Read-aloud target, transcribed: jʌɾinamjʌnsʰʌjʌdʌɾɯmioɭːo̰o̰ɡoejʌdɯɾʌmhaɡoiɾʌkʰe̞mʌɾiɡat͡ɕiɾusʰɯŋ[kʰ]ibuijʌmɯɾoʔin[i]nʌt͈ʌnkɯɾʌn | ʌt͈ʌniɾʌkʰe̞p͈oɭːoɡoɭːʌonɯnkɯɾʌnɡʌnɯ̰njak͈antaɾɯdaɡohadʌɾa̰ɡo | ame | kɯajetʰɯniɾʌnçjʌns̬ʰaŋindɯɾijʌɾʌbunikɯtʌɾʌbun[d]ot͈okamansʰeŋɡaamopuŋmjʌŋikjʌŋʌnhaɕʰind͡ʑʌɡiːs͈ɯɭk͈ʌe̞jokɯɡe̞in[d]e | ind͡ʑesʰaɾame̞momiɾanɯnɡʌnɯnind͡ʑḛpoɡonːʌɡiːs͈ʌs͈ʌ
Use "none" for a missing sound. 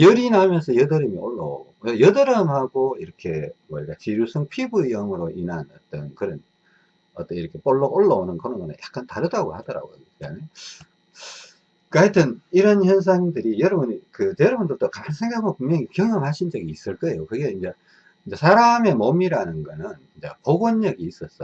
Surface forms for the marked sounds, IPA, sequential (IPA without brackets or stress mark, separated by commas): pʰ, a, d, d͡ʑ